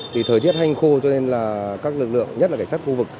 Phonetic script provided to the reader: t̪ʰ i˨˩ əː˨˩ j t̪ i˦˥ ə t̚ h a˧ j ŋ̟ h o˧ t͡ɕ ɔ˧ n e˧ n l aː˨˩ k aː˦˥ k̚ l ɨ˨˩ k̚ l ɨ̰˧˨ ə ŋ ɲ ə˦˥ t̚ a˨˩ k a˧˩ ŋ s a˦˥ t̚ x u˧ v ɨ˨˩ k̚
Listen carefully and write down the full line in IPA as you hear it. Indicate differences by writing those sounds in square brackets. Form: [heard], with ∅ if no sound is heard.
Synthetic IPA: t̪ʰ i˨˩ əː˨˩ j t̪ i˦˥ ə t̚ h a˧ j ŋ̟ [x] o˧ t͡ɕ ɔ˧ n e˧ n l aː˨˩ k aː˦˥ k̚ l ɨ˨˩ k̚ l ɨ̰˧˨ ə ŋ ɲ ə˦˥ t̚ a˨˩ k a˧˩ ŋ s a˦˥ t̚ x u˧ v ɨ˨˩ k̚